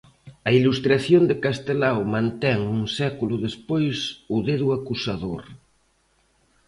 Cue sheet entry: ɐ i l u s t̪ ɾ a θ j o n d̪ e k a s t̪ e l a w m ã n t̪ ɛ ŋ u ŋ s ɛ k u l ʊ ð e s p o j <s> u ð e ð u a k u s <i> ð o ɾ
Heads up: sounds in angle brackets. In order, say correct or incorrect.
correct, incorrect: a

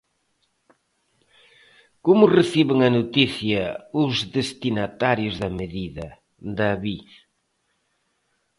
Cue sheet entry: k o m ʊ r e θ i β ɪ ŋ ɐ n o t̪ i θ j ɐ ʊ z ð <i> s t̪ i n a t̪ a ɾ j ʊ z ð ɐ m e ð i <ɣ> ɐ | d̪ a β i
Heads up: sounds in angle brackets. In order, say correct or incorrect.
incorrect: e, incorrect: ð

